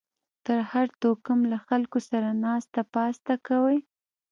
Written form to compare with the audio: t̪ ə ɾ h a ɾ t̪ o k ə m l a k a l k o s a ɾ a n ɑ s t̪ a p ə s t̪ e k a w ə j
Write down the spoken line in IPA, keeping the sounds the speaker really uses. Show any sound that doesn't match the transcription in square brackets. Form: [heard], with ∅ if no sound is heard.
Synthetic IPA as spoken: t̪ ə ɾ h a ɾ t̪ o k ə m l a [x] a l k o s a ɾ a n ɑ s t̪ a p [ɑ] s t̪ [a] k a w ə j